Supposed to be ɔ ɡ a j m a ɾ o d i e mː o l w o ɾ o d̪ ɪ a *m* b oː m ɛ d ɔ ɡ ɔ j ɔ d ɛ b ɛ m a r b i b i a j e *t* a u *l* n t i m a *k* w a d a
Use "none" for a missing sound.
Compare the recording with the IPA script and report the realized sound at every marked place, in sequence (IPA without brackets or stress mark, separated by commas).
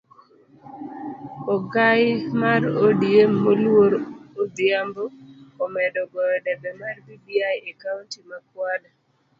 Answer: m, k, none, k